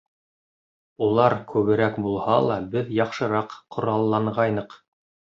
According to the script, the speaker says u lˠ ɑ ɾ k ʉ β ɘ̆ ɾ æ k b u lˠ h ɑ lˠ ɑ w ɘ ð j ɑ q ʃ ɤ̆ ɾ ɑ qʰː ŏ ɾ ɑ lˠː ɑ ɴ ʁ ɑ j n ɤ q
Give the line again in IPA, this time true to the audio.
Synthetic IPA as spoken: u lˠ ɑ ɾ k ʉ β ɘ̆ ɾ æ k b u lˠ h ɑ lˠ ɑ b ɘ ð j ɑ q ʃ ɤ̆ ɾ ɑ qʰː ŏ ɾ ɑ lˠː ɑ ɴ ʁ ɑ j n ɤ q